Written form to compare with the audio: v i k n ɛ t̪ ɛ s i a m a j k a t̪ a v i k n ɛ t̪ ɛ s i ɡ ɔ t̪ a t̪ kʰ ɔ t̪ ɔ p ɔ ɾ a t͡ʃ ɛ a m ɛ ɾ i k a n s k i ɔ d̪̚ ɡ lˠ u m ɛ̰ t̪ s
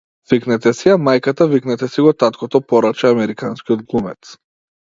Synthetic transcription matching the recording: v i k n ɛ t̪ ɛ s i a m a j k a t̪ a v i k n ɛ t̪ ɛ s i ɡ ɔ t̪ a t̪ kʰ ɔ t̪ ɔ p ɔ ɾ a t͡ʃ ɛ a m ɛ ɾ i k a n s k i ɔ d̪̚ ɡ lˠ u m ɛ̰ t̪ s